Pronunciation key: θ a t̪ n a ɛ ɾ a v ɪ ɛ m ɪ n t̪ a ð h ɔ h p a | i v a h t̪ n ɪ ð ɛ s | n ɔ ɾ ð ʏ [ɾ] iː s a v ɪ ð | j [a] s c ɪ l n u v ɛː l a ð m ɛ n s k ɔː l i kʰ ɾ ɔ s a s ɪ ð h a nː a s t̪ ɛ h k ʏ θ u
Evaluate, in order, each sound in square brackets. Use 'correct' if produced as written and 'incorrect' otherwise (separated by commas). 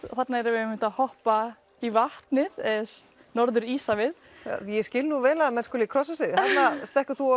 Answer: correct, incorrect